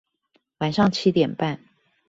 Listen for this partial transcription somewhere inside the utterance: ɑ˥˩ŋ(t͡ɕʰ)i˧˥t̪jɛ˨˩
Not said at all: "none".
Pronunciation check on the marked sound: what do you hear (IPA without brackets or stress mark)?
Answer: t͡ɕʰ